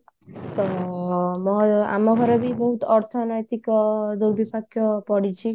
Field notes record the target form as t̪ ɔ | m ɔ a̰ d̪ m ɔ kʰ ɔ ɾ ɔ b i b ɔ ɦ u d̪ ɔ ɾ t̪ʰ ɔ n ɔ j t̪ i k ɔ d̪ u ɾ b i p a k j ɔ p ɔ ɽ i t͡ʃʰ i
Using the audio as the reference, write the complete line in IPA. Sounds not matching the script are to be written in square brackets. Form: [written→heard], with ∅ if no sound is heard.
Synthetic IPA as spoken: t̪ ɔ | m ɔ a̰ [d̪→∅] m ɔ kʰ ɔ ɾ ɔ b i b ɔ ɦ u [d̪→t̪] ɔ ɾ t̪ʰ ɔ n ɔ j t̪ i k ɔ d̪ u ɾ b i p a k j ɔ p ɔ ɽ i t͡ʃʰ i